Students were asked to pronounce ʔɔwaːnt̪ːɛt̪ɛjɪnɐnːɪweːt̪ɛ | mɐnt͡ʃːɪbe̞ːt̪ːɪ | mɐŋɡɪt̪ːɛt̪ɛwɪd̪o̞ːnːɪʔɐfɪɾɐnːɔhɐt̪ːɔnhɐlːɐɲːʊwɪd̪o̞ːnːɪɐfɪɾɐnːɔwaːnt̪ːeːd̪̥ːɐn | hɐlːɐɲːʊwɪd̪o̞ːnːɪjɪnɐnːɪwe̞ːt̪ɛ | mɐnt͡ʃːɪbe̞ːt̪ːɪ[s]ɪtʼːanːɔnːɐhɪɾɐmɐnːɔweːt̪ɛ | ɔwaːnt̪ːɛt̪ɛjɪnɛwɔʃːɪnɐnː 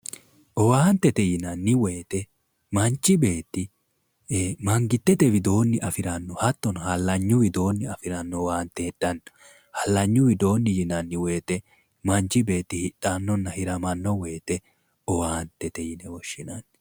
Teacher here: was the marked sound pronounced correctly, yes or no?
no